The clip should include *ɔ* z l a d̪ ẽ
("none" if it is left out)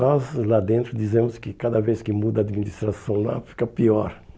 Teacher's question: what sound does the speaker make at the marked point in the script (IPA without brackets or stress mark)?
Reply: ɔ